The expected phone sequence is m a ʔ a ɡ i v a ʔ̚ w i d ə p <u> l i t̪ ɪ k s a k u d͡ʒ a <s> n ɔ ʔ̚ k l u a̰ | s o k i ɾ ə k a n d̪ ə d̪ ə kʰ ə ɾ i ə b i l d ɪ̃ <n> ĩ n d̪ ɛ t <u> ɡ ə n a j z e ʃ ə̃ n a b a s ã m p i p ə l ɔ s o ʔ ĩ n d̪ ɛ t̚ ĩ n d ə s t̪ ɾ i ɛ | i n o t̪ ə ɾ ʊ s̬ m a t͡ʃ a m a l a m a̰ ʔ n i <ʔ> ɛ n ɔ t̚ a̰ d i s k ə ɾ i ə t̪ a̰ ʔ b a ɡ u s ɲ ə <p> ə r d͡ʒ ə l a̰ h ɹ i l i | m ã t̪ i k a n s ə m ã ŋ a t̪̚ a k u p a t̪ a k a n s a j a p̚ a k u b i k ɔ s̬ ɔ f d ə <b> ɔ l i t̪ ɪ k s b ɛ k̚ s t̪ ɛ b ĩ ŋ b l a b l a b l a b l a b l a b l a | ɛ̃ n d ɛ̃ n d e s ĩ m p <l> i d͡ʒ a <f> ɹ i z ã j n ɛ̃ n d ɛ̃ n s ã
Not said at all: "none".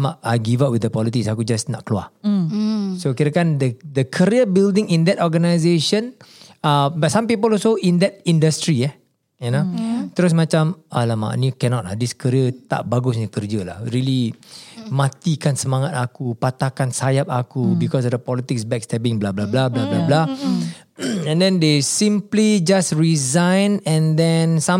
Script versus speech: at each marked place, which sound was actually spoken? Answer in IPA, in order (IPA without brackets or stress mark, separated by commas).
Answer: ɔ, s, ŋ, ɔ, k, k, p, l, s